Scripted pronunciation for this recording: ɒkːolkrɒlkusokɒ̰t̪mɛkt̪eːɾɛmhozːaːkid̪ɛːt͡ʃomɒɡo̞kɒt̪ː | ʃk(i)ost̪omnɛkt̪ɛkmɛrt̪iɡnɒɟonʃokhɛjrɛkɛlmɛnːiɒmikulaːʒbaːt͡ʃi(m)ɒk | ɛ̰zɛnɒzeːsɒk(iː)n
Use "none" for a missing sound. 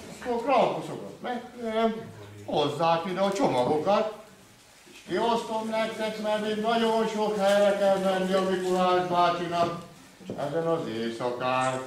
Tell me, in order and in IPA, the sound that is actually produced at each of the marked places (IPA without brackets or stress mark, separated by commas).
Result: i, n, aː